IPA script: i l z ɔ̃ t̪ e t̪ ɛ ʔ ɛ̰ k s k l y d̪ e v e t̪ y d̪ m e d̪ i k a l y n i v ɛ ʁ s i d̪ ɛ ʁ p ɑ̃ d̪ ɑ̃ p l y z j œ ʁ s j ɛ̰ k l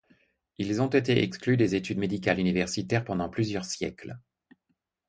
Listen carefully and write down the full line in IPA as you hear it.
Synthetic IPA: i l z ɔ̃ t̪ e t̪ e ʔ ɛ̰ k s k l y d̪ e z e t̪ y d̪ m e d̪ i k a l y n i v ɛ ʁ s i t̪ ɛ ʁ p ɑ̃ d̪ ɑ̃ p l y z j œ ʁ s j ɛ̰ k l